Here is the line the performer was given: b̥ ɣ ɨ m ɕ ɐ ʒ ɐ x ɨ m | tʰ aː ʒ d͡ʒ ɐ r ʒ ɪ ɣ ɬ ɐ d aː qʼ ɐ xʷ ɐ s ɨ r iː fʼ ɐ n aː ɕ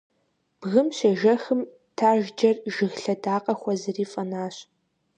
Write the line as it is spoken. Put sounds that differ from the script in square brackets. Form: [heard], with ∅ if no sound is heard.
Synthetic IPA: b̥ ɣ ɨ m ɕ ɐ ʒ ɐ x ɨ m | tʰ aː ʒ d͡ʒ ɐ r ʒ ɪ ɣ ɬ ɐ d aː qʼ ɐ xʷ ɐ [z] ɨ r iː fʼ ɐ n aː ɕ